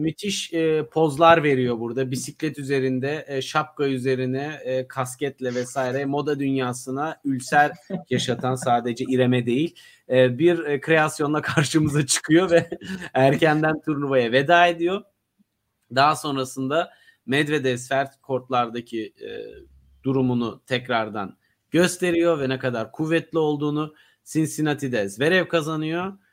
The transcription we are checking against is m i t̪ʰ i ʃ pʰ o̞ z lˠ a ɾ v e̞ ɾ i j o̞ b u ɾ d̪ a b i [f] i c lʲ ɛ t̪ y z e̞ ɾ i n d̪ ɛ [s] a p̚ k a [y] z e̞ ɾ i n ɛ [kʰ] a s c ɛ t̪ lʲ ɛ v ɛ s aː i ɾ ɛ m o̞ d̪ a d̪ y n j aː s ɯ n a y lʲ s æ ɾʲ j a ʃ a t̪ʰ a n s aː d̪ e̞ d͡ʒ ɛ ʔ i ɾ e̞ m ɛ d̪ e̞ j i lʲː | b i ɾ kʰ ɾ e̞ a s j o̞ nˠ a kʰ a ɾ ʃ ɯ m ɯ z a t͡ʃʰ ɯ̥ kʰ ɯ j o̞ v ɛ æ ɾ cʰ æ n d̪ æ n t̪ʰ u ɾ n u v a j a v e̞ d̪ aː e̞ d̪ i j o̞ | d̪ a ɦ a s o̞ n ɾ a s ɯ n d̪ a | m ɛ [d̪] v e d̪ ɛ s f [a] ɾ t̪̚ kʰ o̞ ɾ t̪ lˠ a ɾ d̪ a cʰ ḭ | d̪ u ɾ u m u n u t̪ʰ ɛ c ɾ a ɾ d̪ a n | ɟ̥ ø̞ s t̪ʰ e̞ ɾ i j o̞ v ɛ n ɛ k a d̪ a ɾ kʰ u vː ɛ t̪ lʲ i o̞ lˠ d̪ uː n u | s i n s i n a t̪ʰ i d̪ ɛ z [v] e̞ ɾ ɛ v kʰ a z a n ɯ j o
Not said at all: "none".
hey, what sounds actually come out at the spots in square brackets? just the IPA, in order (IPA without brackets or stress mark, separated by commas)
s, ʃ, y, kʰ, d̪, æ, v